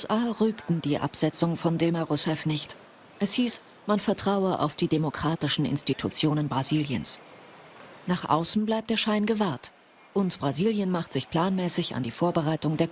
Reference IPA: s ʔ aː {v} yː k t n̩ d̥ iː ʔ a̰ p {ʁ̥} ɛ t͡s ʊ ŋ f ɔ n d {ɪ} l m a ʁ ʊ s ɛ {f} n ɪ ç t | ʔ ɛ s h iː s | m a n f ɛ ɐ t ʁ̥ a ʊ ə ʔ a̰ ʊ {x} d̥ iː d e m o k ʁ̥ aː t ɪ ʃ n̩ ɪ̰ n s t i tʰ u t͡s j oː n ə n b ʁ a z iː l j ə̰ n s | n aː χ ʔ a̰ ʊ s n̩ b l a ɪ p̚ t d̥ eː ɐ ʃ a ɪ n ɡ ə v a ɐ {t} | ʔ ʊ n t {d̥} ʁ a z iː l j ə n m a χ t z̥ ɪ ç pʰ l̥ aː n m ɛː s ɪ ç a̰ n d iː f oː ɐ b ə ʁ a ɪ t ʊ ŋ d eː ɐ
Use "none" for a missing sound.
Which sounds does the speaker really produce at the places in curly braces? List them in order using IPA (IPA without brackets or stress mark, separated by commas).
ʁ, z̥, ɪ, f, f, t, b̥